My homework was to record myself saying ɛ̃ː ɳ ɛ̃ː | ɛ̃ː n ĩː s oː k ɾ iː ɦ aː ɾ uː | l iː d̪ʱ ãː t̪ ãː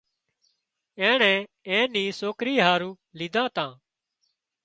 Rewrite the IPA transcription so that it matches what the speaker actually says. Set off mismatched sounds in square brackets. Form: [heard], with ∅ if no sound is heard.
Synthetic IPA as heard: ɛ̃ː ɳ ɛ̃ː | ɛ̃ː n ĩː s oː k ɾ iː ɦ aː ɾ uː | l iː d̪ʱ ãː t̪ ãː

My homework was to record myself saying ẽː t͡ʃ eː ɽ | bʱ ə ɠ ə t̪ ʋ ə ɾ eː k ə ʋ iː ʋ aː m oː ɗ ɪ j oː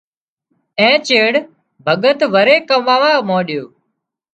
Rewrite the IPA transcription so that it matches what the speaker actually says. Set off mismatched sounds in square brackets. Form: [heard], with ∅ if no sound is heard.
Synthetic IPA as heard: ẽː t͡ʃ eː ɽ | bʱ ə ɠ ə t̪ ʋ ə ɾ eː k ə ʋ [aː] ʋ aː m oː ɗ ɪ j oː

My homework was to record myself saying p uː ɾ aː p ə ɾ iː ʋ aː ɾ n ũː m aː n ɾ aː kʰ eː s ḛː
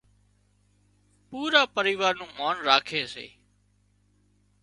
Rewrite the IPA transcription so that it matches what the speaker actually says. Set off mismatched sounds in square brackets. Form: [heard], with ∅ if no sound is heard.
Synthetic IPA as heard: p uː ɾ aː p ə ɾ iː ʋ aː ɾ n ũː m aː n ɾ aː kʰ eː s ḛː

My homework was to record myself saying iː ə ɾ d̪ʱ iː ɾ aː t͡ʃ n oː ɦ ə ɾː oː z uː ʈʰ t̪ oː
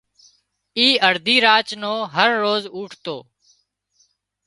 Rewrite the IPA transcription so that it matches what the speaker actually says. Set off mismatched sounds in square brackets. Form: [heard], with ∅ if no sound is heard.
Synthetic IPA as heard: iː ə ɾ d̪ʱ iː ɾ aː t͡ʃ n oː ɦ ə ɾː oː z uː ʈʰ t̪ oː

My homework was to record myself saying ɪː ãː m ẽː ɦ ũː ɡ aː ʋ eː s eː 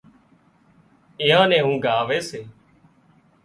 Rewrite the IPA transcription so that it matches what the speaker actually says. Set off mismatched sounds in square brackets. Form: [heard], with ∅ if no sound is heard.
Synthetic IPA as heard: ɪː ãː [n] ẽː ɦ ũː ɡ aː ʋ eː s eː

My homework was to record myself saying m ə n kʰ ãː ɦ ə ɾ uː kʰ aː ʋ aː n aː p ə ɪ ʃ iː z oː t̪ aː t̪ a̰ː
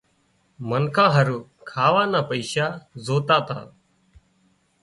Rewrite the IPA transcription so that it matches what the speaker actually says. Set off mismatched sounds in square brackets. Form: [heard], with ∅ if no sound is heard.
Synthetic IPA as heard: m ə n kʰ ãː ɦ ə ɾ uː kʰ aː ʋ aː n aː p ə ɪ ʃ [aː] z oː t̪ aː t̪ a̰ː

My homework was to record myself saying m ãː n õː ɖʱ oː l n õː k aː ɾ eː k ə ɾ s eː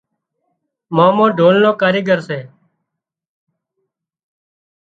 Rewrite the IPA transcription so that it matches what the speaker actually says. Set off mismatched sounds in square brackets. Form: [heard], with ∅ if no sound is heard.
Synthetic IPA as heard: m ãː [m] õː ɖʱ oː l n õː k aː ɾ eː [ɡ] ə ɾ s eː

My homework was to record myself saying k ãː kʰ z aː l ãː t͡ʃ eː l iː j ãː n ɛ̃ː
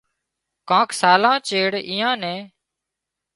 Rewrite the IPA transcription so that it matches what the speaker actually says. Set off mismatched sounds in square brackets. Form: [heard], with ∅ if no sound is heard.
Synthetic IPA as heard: k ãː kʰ [s] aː l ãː t͡ʃ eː [ɽ] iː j ãː n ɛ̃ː

